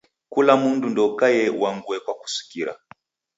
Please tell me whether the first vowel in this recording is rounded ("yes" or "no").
yes